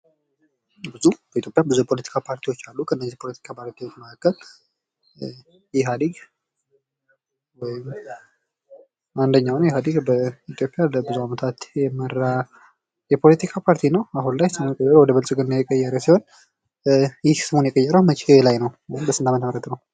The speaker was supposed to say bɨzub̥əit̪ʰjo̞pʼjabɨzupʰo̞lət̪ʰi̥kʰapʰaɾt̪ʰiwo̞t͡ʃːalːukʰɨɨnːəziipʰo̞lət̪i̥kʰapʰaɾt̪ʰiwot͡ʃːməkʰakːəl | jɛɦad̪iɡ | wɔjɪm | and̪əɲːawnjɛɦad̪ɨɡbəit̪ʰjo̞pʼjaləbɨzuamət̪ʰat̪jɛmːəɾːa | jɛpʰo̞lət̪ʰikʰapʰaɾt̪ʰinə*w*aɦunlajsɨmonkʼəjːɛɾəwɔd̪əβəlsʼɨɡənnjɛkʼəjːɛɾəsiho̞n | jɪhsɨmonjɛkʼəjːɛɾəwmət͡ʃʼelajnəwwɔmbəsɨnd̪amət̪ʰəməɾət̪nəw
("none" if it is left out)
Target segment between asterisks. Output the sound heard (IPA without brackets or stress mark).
w